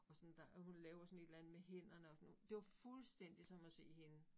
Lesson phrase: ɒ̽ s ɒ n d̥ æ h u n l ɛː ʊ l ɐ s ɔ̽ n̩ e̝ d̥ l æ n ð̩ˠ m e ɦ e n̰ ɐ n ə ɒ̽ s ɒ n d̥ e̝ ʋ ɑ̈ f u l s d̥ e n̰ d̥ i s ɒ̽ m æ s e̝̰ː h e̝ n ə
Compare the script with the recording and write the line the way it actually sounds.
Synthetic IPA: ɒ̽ s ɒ n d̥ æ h u n l ɛː ʊ ɐ s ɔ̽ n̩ e̝ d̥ l æ n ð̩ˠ m e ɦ e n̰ ɐ n ə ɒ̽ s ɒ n d̥ e̝ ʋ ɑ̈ f u l s d̥ e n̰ d̥ i s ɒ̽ m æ s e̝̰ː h e̝ n ə